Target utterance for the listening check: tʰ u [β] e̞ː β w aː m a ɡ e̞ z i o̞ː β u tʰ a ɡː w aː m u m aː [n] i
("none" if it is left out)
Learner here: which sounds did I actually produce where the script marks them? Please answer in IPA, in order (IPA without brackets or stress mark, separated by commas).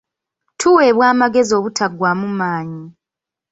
w, ɲ